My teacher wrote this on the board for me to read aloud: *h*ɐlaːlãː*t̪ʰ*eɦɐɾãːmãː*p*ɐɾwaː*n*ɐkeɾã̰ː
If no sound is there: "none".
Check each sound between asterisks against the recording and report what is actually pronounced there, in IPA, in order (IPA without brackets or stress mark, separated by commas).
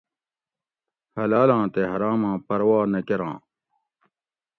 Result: h, t̪, p, n